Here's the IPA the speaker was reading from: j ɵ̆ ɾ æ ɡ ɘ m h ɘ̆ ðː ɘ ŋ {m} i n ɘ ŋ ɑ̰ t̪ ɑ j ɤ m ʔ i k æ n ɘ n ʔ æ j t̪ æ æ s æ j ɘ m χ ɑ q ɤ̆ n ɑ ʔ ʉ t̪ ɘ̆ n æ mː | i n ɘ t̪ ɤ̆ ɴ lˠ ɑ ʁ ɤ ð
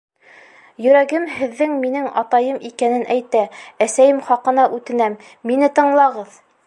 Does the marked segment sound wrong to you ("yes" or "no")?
no